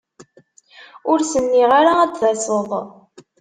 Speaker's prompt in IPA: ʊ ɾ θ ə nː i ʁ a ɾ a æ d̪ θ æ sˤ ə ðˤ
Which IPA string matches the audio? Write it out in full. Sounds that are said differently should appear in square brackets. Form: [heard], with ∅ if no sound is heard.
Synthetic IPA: ʊ ɾ [s] ə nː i ʁ a ɾ a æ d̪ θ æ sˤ ə ðˤ